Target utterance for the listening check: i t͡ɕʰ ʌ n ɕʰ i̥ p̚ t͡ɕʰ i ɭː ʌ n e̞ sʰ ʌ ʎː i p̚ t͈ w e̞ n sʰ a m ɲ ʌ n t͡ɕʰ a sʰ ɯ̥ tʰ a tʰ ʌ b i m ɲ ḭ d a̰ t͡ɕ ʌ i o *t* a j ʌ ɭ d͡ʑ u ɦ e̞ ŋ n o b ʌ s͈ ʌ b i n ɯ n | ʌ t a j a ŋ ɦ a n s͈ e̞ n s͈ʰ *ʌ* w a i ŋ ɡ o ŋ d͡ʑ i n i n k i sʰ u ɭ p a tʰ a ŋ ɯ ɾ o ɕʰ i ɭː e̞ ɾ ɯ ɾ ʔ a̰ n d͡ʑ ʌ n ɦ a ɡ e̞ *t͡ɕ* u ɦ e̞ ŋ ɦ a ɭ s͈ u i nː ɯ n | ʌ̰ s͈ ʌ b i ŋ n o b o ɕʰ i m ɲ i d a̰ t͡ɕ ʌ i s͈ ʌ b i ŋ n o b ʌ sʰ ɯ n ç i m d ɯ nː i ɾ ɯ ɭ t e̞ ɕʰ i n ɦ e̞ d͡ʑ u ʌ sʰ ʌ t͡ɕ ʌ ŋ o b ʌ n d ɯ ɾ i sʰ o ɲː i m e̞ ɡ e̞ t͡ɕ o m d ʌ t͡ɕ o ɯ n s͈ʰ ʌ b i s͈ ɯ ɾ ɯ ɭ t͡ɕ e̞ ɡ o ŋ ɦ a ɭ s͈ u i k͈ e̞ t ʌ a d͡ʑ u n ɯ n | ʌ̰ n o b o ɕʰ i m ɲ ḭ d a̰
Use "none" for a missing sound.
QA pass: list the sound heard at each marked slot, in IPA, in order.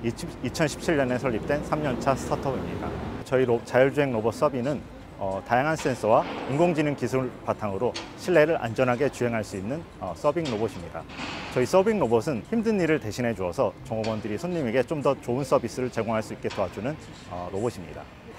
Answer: t͡ɕ, ʌ, t͡ɕ

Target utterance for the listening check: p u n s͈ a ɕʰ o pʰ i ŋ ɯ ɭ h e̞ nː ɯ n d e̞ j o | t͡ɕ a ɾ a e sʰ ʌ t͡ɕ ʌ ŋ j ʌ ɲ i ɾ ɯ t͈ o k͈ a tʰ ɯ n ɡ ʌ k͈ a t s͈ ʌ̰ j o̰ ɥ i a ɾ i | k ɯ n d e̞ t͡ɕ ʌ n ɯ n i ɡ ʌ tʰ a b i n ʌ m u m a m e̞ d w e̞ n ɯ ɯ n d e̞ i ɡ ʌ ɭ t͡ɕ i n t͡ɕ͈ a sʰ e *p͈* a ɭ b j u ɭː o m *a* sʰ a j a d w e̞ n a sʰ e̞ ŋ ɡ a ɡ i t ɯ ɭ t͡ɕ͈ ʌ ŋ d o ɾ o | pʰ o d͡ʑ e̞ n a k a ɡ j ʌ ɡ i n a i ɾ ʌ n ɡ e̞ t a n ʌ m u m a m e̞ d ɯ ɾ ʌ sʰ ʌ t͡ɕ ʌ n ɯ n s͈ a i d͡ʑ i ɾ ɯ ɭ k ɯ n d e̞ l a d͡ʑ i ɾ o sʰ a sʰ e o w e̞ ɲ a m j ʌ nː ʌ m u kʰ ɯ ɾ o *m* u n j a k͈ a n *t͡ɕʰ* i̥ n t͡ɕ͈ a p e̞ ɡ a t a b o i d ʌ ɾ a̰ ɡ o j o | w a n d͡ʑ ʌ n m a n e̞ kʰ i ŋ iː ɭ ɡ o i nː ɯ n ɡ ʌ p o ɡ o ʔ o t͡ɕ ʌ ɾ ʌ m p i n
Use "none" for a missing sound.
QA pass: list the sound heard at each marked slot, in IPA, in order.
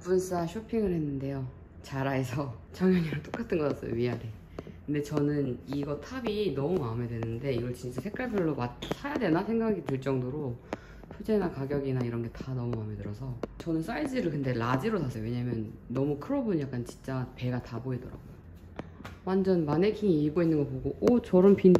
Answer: k͈, a, b, t͡ɕ

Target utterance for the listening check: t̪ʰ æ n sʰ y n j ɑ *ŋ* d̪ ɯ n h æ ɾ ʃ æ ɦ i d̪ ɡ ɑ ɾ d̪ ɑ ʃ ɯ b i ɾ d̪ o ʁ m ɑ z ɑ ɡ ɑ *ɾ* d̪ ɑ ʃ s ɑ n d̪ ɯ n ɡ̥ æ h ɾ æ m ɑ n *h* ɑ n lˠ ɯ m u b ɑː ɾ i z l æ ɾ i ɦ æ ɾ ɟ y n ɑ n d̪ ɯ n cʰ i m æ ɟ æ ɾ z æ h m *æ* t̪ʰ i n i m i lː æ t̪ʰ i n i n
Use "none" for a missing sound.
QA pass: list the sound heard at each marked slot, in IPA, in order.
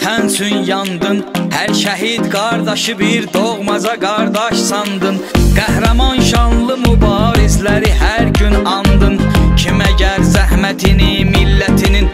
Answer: n, ɾ, ʃ, æ

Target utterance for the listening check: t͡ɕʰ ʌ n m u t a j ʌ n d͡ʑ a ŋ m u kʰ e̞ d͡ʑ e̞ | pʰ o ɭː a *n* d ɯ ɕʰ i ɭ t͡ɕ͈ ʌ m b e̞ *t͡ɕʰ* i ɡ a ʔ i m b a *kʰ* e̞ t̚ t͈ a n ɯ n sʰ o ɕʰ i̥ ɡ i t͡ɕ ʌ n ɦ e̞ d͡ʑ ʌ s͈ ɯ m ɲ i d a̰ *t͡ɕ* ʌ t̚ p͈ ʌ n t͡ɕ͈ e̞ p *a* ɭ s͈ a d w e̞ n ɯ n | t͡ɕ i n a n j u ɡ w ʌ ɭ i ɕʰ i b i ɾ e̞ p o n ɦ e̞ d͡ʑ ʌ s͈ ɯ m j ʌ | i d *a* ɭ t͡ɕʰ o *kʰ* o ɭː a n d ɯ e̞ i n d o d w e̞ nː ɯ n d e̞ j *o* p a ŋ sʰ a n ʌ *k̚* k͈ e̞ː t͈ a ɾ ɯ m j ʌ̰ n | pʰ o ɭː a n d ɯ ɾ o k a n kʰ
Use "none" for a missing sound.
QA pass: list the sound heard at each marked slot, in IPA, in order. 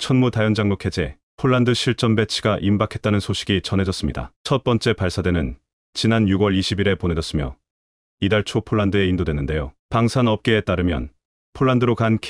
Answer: n, t͡ɕʰ, kʰ, t͡ɕʰ, a, a, pʰ, o, p̚

